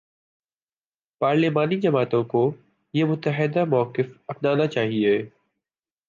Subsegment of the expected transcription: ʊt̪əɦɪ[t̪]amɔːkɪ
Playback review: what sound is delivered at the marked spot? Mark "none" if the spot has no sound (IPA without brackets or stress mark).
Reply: d̪